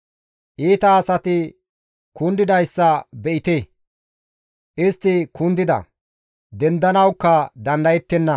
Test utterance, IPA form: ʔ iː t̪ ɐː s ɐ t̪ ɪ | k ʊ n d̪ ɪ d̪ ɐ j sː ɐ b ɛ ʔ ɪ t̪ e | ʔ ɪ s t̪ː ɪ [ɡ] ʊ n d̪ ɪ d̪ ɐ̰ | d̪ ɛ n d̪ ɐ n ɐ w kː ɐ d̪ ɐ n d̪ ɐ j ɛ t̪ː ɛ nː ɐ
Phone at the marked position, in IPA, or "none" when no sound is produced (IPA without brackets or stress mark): k